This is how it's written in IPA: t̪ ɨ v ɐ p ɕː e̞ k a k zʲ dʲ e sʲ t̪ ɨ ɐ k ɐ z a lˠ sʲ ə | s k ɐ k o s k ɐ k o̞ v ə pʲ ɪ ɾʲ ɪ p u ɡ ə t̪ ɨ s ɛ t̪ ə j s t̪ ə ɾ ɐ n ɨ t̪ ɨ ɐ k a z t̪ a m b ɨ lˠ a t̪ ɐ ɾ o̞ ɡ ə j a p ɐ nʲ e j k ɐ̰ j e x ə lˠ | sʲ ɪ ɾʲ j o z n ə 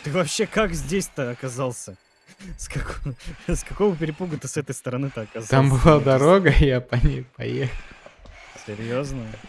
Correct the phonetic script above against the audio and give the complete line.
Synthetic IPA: t̪ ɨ v ɐ p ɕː e̞ k a k zʲ dʲ e sʲ t̪ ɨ ɐ k ɐ z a lˠ sʲ ə | s k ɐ k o s k ɐ k o̞ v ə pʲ ɪ ɾʲ ɪ p u ɡ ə t̪ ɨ s ɛ t̪ ə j s t̪ ə ɾ ɐ n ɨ t̪ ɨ ɐ k a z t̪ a m b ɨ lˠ a d̪ ɐ ɾ o̞ ɡ ə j a p ɐ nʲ e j p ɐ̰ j e x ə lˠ | sʲ ɪ ɾʲ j o z n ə